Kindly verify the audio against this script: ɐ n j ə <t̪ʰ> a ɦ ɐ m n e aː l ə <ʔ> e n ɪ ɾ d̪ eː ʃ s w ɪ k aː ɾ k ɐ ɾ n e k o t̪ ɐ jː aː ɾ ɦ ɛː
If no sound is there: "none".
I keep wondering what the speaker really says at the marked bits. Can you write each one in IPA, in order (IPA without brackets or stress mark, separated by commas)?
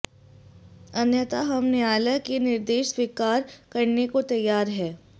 t̪, k